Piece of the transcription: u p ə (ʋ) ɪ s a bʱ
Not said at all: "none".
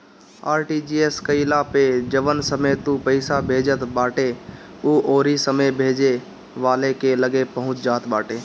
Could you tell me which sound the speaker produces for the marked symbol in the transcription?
none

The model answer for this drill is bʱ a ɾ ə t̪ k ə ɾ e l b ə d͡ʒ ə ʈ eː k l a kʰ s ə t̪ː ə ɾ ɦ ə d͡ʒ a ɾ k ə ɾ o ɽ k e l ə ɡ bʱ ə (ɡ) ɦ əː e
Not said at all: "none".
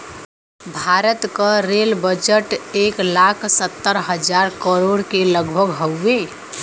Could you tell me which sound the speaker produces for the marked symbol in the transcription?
ɡ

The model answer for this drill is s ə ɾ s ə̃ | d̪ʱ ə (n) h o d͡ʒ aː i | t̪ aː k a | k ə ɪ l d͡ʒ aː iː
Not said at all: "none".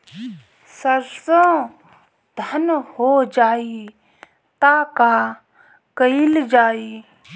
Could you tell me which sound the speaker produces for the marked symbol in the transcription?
n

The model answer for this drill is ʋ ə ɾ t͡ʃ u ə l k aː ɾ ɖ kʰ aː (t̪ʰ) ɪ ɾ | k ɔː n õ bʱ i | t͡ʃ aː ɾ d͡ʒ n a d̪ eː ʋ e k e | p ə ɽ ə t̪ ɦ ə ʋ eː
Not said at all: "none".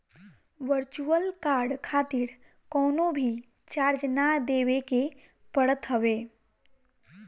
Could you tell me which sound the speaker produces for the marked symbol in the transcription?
t̪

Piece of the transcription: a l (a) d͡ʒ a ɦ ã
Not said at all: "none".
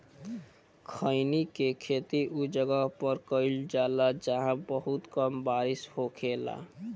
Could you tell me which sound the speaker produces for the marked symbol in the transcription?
a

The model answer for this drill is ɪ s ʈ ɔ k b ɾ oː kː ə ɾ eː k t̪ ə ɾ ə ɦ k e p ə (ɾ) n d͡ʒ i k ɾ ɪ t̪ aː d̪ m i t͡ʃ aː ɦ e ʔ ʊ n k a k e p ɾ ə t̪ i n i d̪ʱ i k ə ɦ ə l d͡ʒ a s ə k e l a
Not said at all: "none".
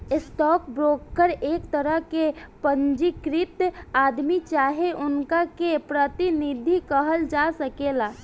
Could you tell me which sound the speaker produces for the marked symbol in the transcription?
none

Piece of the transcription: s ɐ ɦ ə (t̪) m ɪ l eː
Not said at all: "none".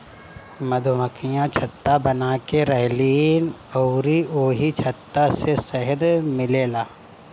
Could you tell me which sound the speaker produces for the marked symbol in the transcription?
d̪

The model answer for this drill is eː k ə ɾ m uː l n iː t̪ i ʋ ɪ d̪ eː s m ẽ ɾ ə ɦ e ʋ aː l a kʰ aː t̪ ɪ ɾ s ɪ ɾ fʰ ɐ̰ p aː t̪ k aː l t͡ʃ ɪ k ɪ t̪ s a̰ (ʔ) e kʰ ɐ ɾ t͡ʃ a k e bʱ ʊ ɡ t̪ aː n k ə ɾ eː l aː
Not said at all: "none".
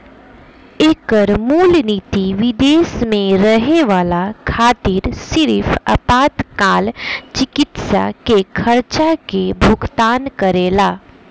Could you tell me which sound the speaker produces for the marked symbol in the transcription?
k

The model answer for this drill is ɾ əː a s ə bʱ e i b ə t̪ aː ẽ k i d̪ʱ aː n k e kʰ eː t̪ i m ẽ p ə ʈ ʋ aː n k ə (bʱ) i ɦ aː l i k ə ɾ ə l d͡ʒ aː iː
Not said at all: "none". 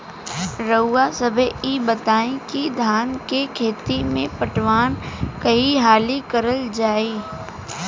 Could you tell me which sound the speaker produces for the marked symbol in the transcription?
none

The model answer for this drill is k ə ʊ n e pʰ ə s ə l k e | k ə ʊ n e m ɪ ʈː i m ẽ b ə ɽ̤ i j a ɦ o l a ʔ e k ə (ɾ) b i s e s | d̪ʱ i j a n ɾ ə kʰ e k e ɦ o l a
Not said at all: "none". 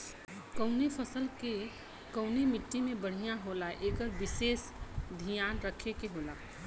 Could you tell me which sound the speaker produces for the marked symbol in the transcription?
ɾ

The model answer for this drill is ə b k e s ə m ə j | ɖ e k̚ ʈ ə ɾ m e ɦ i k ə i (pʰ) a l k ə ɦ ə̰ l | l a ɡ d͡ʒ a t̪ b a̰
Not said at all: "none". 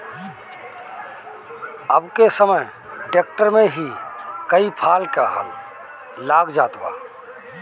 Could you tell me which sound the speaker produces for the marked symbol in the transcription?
pʰ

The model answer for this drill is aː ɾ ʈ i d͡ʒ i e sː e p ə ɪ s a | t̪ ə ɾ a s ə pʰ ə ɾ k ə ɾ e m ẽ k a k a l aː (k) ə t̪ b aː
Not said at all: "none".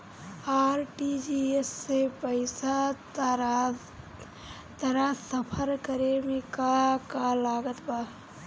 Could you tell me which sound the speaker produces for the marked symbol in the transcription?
ɡ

